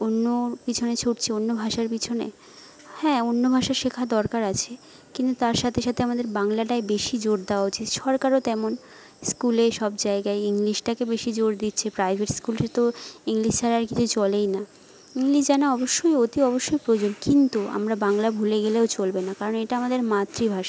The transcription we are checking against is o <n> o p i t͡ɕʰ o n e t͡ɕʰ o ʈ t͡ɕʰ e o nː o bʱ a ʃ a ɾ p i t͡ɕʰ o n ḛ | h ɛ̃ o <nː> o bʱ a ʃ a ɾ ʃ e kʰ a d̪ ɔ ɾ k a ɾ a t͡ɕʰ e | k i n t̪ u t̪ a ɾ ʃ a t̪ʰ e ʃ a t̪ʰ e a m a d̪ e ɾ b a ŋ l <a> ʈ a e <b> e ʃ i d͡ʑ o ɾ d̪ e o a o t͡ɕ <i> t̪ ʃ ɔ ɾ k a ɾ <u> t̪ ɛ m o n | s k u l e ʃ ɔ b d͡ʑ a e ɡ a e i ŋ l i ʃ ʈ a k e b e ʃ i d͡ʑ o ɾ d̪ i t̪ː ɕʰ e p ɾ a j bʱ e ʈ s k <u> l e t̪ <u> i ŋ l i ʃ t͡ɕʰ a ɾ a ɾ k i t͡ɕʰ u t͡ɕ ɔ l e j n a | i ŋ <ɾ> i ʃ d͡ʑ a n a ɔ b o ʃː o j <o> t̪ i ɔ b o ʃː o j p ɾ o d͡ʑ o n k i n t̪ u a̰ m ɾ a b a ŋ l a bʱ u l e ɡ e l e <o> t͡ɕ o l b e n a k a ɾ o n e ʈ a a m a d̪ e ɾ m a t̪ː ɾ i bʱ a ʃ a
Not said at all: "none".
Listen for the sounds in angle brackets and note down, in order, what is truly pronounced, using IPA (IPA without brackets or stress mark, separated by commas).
nː, nː, a, b, i, o, u, o, l, o, o